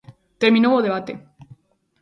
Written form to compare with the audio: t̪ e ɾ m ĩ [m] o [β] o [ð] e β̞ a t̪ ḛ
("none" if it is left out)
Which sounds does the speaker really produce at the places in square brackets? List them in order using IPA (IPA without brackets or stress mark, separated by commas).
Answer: n, w, ð